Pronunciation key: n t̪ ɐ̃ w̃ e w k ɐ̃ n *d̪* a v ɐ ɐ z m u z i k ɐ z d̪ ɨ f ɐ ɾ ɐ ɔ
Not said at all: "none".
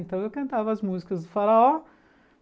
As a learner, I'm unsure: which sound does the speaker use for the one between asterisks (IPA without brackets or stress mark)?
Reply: t̪